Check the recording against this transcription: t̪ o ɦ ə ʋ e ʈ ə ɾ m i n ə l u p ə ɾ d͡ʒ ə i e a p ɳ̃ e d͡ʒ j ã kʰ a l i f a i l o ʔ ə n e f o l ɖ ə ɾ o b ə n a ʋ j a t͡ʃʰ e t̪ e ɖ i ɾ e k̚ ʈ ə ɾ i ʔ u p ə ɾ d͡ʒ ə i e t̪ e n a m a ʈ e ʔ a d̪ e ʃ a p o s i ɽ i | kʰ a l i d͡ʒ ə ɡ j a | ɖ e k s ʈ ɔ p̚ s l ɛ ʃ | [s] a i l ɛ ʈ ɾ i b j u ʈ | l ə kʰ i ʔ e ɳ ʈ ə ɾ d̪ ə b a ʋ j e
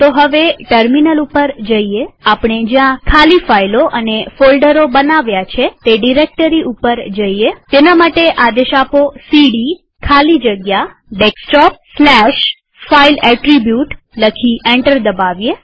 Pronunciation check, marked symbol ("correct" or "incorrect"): incorrect